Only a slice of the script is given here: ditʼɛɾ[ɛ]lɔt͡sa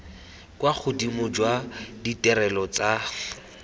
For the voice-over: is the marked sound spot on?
yes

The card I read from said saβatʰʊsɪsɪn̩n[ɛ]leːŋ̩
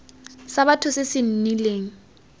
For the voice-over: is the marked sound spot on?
no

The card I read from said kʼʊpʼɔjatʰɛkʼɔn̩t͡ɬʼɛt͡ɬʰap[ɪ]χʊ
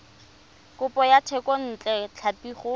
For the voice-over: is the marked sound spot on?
no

